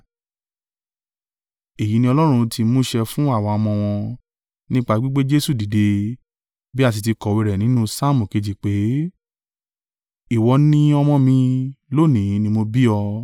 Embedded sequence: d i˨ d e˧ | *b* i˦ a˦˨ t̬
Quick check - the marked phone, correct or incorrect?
correct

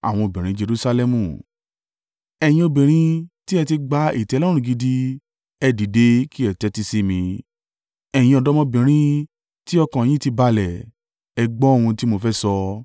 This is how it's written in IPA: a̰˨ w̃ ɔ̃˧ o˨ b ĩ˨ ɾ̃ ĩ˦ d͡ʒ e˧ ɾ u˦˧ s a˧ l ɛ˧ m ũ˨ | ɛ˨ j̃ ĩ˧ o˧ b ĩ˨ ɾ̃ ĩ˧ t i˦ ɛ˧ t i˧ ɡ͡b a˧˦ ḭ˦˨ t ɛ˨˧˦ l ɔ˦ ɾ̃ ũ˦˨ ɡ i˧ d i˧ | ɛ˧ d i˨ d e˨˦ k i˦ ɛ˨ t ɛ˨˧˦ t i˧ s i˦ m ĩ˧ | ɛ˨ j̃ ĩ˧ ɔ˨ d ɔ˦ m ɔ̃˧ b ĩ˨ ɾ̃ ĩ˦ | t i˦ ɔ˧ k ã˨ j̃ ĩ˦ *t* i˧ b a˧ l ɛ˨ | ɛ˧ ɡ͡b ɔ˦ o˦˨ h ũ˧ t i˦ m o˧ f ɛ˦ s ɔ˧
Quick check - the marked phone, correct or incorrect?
correct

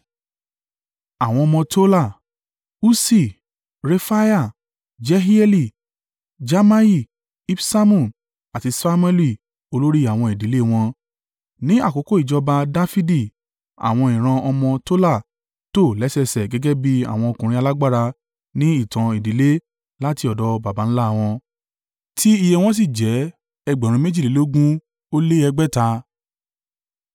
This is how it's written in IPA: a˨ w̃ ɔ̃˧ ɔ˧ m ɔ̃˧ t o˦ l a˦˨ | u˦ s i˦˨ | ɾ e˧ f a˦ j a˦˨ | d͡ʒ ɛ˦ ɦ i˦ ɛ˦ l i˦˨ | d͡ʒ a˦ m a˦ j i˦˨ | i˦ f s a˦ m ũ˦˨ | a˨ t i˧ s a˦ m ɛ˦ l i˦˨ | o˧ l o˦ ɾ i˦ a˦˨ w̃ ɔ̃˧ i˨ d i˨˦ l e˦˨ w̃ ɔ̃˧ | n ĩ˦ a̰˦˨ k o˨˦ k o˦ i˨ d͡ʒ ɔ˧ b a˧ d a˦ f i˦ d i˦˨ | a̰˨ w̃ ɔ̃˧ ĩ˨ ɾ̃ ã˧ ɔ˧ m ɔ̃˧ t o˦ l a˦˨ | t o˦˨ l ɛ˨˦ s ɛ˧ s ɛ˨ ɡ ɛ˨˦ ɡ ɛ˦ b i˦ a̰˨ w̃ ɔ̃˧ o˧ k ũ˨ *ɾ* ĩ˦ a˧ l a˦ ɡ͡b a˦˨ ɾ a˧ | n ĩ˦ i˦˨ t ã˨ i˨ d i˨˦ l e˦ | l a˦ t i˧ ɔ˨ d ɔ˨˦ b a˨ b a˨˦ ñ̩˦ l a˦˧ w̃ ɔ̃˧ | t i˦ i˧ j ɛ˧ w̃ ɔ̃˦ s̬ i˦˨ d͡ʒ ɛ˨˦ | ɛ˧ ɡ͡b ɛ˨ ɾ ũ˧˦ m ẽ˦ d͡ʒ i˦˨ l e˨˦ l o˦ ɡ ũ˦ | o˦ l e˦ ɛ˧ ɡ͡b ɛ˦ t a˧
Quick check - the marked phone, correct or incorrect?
correct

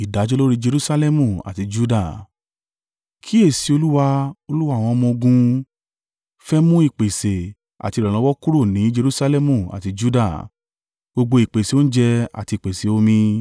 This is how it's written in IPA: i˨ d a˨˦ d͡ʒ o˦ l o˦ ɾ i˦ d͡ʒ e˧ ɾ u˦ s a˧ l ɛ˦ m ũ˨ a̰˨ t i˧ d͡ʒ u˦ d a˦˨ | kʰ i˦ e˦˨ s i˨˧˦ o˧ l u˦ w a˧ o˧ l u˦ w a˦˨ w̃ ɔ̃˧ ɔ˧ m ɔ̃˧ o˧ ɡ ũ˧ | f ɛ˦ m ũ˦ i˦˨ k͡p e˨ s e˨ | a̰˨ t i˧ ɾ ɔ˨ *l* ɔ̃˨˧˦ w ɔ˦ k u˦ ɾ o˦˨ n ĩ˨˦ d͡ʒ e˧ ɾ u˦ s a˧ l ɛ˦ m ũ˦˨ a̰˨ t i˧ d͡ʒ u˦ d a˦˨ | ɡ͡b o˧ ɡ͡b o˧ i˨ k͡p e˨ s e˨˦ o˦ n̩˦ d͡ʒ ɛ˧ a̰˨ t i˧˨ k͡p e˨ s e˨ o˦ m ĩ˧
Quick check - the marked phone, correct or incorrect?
correct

